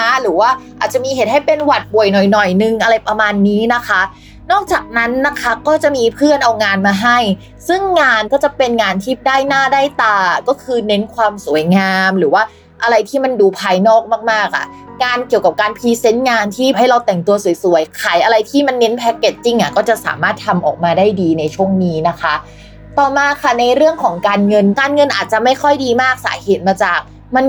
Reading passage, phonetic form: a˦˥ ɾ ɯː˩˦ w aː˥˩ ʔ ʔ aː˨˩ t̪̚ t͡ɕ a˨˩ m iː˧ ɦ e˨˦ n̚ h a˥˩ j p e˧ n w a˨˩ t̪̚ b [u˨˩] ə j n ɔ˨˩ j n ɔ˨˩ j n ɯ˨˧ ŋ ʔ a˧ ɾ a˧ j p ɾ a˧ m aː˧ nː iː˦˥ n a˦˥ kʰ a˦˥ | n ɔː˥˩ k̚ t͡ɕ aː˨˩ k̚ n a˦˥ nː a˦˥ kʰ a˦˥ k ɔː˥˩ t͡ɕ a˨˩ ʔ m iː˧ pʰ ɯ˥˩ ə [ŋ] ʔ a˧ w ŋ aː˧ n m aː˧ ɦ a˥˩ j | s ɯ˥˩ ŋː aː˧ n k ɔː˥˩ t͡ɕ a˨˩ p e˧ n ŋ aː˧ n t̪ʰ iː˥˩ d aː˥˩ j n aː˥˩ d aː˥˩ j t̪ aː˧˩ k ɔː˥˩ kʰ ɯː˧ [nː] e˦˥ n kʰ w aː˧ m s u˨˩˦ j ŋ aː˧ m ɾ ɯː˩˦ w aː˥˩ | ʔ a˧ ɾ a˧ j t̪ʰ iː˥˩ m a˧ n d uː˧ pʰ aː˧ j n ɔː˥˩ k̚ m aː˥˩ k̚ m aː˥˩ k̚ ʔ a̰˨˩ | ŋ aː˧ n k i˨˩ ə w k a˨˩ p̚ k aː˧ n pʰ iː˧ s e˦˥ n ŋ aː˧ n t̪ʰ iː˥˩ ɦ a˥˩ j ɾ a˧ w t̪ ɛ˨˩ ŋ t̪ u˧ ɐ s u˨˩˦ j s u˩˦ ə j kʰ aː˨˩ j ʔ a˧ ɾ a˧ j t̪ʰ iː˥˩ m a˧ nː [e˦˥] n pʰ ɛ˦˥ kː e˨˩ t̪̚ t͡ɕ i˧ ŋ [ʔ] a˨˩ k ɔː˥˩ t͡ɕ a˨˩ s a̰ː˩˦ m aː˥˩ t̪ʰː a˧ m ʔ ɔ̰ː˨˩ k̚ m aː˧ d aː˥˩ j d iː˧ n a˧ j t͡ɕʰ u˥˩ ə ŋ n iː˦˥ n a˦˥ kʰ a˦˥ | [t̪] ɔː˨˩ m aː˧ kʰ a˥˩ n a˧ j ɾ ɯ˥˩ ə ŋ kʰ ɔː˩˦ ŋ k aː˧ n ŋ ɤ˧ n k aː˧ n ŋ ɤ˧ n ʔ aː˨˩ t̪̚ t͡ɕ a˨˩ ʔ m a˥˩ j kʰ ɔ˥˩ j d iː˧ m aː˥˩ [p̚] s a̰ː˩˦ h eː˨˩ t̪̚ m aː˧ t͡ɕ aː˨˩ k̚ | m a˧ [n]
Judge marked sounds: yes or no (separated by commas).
yes, no, no, yes, yes, yes, no, yes